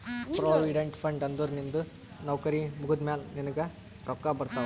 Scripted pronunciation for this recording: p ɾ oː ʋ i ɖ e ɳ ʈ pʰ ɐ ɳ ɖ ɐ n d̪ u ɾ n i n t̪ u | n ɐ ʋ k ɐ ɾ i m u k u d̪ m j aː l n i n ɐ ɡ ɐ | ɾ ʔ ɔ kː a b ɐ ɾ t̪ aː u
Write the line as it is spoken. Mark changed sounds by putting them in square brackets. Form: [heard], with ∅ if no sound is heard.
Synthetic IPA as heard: p ɾ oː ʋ i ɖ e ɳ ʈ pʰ ɐ ɳ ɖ ɐ n d̪ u ɾ n i n [d̪] u | n ɐ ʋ k ɐ ɾ i m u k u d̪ m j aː l n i n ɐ ɡ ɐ | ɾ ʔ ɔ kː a b ɐ ɾ t̪ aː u